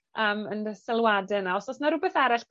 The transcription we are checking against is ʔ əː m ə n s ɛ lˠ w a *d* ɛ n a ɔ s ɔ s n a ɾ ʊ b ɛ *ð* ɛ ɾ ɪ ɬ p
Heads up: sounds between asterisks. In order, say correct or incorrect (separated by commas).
correct, incorrect